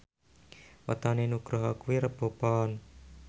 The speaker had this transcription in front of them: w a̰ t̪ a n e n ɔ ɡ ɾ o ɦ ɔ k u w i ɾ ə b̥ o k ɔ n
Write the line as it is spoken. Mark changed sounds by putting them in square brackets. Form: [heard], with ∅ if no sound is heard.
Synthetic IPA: w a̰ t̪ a n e n [u] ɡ ɾ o ɦ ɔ k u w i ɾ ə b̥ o [p] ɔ n